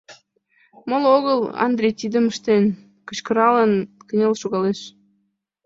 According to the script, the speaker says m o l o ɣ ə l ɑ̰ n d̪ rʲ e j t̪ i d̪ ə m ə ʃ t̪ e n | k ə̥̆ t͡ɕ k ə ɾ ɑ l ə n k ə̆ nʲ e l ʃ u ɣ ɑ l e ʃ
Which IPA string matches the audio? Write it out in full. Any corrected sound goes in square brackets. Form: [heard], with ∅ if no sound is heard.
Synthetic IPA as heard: m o l o ɣ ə l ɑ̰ n d̪ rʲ e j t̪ i d̪ ə m ə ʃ t̪ e n | k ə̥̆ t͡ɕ k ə ɾ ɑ l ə n k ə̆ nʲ e l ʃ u ɣ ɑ l e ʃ